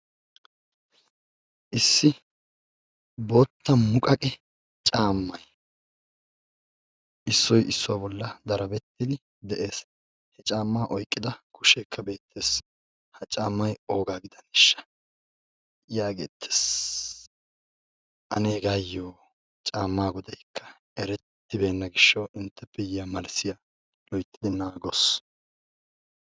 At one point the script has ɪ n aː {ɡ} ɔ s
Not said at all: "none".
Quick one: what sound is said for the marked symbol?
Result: ɡ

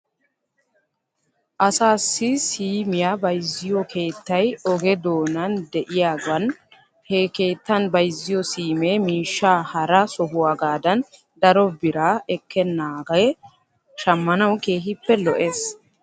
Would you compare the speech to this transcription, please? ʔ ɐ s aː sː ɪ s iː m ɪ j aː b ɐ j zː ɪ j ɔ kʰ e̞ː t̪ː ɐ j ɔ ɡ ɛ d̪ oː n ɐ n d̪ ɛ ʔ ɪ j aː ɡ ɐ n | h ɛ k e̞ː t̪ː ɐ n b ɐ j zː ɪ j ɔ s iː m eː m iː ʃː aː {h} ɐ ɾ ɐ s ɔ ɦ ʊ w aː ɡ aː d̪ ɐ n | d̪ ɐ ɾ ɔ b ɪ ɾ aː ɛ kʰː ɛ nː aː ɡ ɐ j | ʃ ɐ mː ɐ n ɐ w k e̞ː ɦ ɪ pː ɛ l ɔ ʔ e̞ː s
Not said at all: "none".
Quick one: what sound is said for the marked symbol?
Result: h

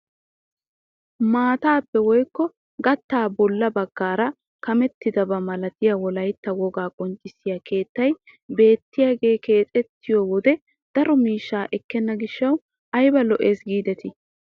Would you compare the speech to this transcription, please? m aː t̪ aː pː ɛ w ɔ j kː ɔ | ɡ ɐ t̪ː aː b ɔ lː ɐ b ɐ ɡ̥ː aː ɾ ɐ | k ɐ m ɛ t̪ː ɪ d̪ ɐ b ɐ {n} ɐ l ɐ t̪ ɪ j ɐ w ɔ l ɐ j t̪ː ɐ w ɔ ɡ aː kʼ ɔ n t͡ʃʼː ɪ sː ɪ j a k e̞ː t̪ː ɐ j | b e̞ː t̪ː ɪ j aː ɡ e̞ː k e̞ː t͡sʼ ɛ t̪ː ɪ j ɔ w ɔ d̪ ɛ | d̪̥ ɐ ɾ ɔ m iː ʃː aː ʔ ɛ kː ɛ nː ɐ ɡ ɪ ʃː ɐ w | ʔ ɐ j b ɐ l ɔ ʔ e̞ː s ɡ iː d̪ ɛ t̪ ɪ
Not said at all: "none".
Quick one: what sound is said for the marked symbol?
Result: m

